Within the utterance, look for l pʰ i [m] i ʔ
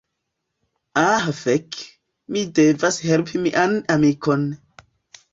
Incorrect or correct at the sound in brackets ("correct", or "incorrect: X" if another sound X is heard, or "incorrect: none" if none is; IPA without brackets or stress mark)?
correct